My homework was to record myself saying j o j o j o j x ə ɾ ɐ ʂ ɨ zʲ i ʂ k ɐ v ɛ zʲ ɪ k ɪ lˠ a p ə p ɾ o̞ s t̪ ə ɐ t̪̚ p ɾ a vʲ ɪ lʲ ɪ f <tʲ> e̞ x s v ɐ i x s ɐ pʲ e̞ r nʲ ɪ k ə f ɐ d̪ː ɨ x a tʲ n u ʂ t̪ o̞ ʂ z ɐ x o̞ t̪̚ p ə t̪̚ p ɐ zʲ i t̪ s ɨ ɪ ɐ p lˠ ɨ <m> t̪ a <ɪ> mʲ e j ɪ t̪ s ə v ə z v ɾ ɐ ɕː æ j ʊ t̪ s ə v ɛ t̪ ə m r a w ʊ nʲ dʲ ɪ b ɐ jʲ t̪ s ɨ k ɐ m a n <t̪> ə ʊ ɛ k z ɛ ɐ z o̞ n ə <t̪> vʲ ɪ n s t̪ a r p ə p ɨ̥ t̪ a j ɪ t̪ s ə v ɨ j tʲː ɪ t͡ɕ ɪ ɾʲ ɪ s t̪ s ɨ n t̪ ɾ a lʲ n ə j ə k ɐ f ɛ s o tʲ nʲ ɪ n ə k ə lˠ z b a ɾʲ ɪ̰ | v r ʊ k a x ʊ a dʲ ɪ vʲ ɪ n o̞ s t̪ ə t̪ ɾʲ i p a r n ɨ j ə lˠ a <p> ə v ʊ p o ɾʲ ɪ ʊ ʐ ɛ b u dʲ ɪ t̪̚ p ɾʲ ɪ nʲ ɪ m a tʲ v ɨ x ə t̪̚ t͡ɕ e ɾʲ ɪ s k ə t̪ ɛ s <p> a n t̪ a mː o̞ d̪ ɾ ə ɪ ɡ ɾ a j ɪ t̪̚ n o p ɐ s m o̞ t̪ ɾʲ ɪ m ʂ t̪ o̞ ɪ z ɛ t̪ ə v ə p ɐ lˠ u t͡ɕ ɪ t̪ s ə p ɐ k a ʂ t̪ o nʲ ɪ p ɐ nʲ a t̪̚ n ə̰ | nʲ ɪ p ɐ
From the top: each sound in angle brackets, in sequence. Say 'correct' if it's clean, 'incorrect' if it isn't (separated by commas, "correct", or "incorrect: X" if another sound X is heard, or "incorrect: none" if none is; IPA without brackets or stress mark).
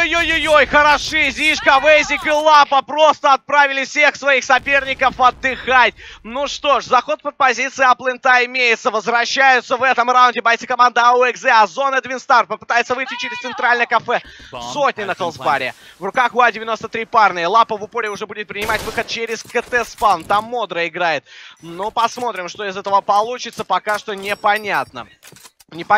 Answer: incorrect: sʲ, incorrect: n, correct, incorrect: d̪, incorrect: d̪, correct, correct